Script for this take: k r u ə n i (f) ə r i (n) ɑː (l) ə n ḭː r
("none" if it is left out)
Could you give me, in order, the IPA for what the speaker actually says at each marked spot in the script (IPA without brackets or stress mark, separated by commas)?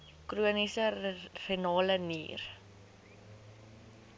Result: s, n, l